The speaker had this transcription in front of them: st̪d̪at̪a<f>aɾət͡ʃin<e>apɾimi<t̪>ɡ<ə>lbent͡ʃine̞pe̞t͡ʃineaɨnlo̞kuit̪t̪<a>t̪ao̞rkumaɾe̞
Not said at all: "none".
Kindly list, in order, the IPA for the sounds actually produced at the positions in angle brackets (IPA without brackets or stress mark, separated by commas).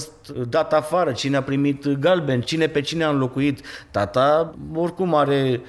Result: f, e, t̪, a, a